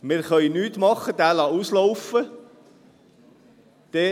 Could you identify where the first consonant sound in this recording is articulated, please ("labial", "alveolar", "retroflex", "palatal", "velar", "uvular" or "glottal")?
labial